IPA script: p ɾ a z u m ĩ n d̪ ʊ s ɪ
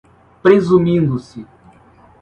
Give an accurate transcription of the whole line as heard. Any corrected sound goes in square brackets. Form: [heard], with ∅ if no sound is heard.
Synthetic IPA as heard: p ɾ [e] z u m ĩ n d̪ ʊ s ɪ

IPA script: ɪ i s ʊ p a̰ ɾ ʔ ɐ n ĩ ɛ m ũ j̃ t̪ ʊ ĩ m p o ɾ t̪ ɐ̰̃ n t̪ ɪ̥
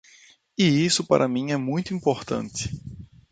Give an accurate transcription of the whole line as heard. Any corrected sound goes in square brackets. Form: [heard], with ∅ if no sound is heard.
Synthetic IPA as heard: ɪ i s ʊ p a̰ ɾ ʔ ɐ [m] ĩ ɛ m ũ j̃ t̪ ʊ ĩ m p o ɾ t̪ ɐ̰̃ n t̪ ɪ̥

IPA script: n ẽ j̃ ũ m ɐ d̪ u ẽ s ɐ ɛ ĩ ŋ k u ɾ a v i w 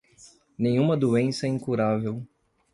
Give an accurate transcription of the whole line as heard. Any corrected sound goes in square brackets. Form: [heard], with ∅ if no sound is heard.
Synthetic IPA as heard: n ẽ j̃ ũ m ɐ d̪ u ẽ s ɐ ɛ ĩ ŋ k u ɾ a v [e] w

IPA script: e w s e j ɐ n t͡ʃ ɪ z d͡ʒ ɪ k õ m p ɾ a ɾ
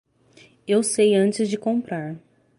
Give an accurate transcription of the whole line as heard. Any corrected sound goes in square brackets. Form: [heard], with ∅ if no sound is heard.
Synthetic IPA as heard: e w s e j [ɐ̃] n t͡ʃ ɪ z d͡ʒ ɪ k õ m p ɾ a ɾ

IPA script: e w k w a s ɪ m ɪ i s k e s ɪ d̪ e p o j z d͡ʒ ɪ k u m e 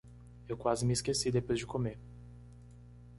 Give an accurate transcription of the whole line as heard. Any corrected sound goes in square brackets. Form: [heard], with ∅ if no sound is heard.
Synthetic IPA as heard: e w k w a [z] ɪ m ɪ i s k e s [i] d̪ e p o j z d͡ʒ ɪ k [o] m e

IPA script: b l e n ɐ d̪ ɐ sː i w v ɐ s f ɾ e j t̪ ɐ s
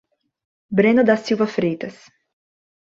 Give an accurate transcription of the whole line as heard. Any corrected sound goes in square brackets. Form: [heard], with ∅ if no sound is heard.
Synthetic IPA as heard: b [ɾ] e n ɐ d̪ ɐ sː i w v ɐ [∅] f ɾ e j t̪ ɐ s

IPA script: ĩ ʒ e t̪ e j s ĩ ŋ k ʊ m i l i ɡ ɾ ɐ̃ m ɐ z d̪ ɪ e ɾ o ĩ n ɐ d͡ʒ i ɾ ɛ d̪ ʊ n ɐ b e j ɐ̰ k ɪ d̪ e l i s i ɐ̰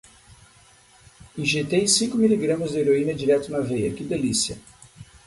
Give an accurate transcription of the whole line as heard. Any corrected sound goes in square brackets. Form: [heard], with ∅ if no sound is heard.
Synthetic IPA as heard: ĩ ʒ e t̪ e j s ĩ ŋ k ʊ m i l i ɡ ɾ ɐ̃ m ɐ z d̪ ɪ e ɾ o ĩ n ɐ d͡ʒ i ɾ ɛ [t̪] ʊ n ɐ [v] e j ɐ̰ k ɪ d̪ e l i s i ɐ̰

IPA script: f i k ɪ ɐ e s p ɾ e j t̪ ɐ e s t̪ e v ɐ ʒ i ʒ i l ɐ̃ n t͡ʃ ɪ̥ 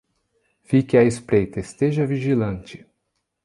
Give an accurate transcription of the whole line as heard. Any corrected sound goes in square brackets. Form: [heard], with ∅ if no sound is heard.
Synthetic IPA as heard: f i k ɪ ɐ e s p ɾ e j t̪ ɐ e s t̪ e [ʒ] ɐ [v] i ʒ i l ɐ̃ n t͡ʃ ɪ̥

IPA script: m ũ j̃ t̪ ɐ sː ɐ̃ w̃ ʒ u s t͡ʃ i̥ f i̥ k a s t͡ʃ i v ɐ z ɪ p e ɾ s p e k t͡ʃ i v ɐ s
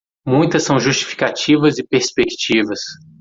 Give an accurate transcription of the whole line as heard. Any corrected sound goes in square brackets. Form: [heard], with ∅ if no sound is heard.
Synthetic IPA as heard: m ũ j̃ t̪ ɐ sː ɐ̃ w̃ ʒ u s t͡ʃ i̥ f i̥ k a [∅] t͡ʃ i v ɐ z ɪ p e ɾ s p e k t͡ʃ i v ɐ s

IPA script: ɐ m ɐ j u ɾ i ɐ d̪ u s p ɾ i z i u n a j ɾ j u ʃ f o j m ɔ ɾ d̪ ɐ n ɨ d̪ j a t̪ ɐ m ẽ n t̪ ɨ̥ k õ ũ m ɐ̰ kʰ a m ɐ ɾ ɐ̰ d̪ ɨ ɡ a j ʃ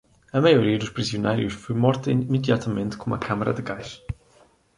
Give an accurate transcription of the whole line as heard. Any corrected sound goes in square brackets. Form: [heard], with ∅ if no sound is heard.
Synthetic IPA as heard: ɐ m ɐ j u ɾ i ɐ d̪ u [ʃ] p ɾ i z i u n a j ɾ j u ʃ f o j m ɔ ɾ [t̪] ɐ [m] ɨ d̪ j a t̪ ɐ m ẽ n t̪ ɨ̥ k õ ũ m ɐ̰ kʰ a m ɐ ɾ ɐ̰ d̪ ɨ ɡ a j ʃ

